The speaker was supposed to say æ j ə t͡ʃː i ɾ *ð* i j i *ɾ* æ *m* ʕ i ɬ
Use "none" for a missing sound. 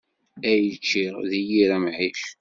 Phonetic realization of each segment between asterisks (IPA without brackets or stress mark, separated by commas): ð, ɾ, m